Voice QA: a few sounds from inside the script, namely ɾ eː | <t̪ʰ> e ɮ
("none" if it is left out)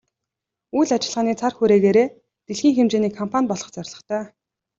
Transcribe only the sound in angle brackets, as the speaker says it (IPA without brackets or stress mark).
t̪